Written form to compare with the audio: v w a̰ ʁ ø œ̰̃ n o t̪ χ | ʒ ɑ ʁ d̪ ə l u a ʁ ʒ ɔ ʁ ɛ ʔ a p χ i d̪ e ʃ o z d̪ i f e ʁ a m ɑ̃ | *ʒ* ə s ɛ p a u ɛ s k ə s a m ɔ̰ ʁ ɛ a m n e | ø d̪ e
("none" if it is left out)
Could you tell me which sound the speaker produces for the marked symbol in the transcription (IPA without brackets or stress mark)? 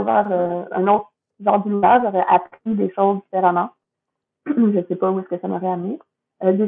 ʒ